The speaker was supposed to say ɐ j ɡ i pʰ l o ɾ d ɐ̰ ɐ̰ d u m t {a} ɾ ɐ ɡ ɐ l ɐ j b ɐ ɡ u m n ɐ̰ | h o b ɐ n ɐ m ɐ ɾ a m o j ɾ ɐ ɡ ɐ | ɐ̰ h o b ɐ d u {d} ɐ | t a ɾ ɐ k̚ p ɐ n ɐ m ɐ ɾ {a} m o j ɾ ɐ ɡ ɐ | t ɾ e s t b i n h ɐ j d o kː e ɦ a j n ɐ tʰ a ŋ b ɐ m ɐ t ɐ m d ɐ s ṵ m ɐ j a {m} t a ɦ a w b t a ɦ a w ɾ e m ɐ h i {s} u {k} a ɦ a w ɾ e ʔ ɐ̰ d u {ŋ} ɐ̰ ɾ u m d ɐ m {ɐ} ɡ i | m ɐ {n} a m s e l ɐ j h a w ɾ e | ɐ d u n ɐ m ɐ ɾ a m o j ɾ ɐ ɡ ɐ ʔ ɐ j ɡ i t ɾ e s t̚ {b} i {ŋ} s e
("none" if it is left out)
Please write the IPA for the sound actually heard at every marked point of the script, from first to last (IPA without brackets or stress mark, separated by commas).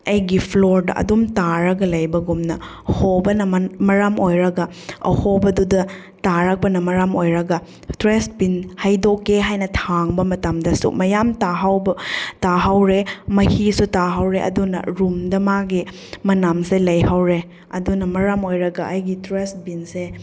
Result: a, d, a, m, s, t, n, a, n, b, n